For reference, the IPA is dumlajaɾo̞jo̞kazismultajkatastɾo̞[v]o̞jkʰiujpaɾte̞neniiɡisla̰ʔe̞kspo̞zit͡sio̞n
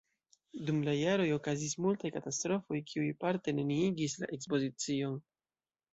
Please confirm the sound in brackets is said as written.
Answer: no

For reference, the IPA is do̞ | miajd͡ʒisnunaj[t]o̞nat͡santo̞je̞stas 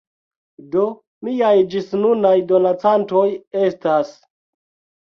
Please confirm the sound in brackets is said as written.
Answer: no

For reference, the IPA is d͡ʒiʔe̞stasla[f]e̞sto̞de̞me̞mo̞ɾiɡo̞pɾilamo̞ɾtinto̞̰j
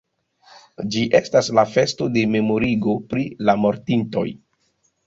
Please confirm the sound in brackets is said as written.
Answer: yes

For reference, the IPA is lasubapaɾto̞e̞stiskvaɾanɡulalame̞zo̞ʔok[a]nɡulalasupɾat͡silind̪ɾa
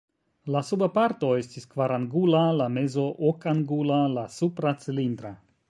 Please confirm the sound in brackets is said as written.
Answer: yes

